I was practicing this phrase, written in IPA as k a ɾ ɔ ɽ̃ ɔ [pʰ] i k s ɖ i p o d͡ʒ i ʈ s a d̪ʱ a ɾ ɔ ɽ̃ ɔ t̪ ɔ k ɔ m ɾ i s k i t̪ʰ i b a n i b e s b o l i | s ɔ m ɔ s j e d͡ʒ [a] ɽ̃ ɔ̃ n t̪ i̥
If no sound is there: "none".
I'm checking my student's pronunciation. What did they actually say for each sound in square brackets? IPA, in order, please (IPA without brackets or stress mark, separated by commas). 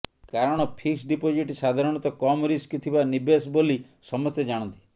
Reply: pʰ, a